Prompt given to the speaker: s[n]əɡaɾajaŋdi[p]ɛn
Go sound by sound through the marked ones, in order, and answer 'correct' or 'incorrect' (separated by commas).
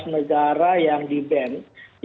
correct, incorrect